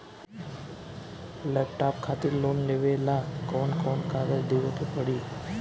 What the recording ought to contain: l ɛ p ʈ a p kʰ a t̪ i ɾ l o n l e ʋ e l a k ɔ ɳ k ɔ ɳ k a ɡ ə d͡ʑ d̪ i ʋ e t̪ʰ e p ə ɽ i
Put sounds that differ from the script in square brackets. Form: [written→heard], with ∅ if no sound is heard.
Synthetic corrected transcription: l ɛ p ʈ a p kʰ a t̪ i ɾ l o n l e ʋ e l a k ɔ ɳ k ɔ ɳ k a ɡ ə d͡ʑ d̪ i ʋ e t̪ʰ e p ə ɽ i

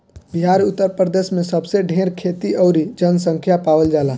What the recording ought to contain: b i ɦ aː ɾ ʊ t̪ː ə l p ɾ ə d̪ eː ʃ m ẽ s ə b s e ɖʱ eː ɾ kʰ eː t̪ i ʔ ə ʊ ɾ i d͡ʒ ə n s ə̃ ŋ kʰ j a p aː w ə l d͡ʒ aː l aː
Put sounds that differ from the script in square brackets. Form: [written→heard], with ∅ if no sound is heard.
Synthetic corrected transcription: b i ɦ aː ɾ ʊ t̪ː ə [l→ɾ] p ɾ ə d̪ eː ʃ m ẽ s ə b s e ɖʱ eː ɾ kʰ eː t̪ i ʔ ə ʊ ɾ i d͡ʒ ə n s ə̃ ŋ kʰ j a p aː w ə l d͡ʒ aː l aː

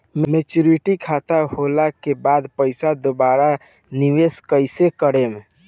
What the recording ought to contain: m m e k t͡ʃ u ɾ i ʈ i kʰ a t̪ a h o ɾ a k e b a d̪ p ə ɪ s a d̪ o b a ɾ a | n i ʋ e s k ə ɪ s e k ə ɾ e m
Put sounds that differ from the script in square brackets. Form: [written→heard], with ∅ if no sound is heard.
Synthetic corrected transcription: m m e [k→∅] t͡ʃ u ɾ i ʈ i kʰ a t̪ a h o [ɾ→l] a k e b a d̪ p ə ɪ s a d̪ o b a ɾ a | n i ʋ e s k ə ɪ s e k ə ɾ e m

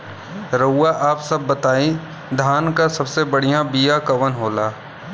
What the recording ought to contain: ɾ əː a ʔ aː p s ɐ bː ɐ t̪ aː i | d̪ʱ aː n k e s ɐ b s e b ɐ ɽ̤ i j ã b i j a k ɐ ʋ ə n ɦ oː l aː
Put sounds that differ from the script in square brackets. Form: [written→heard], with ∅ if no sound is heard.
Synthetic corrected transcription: ɾ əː a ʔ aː p s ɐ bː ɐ t̪ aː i | d̪ʱ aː n k [e→a] s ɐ b s e b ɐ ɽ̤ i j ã b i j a k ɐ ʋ ə n ɦ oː l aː

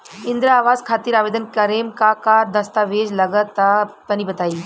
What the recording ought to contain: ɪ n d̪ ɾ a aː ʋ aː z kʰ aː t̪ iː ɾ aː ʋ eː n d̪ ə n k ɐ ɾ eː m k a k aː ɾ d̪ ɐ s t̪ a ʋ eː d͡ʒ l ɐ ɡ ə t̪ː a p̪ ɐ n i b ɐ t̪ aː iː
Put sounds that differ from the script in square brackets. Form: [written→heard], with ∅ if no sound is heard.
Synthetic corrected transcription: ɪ n d̪ ɾ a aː ʋ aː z kʰ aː t̪ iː ɾ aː ʋ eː [n→∅] d̪ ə n k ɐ ɾ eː m k a k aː ɾ d̪ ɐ s t̪ a ʋ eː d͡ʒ l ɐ ɡ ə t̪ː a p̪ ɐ n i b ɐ t̪ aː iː

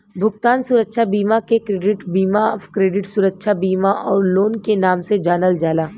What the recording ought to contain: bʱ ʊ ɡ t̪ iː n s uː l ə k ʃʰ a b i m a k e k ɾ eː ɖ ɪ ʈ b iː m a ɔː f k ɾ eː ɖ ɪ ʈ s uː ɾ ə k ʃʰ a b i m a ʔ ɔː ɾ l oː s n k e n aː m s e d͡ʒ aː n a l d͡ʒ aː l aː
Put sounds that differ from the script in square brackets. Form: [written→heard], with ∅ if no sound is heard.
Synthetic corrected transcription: bʱ ʊ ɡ t̪ [iː→aː] n s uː [l→ɾ] ə k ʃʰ a b [i→iː] m a k e k ɾ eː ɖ ɪ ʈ b iː m a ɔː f k ɾ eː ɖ ɪ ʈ s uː ɾ ə k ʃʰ a b [i→iː] m a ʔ ɔː ɾ l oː [s→∅] n k e n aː m s e d͡ʒ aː n [a→ə] l d͡ʒ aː l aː

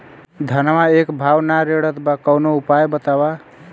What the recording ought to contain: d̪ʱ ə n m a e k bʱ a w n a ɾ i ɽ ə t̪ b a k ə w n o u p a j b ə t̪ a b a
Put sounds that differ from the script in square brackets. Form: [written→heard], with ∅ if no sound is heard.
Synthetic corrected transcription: d̪ʱ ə n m a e k bʱ a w n a ɾ [i→e] ɽ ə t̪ b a k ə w n o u p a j b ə t̪ a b a

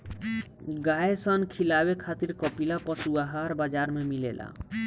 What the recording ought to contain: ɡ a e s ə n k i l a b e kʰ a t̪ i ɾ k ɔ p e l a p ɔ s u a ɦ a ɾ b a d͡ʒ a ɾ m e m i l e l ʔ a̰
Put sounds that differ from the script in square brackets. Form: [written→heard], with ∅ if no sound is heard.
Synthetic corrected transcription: ɡ a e s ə n [k→kʰ] i l a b e kʰ a t̪ i ɾ k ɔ p [e→i] l a p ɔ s u a ɦ a ɾ b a d͡ʒ a ɾ m e m i l e l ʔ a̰

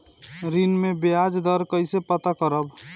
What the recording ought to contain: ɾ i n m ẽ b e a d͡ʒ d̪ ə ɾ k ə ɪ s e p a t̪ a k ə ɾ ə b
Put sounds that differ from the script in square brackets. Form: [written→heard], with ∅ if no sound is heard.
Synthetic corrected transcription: ɾ i n m [ẽ→e] b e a d͡ʒ d̪ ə ɾ k ə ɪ s e p [a→ə] t̪ a k ə ɾ ə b

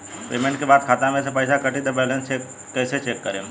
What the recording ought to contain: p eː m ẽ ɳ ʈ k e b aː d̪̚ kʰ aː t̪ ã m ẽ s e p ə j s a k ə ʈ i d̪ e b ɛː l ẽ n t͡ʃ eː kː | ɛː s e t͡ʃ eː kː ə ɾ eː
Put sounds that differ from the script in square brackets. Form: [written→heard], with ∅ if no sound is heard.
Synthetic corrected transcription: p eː m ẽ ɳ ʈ k e b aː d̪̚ kʰ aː t̪ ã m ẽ s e p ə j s a k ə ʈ i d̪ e b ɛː l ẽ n t͡ʃ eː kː | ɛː s e t͡ʃ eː kː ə ɾ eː

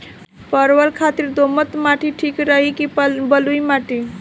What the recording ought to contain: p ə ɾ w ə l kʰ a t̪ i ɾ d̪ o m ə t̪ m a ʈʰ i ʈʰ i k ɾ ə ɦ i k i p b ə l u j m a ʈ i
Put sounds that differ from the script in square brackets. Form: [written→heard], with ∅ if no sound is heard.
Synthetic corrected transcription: p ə ɾ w ə l kʰ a t̪ i ɾ d̪ o m ə t̪ m a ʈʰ i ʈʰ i k ɾ ə ɦ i k i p b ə l u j m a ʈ i

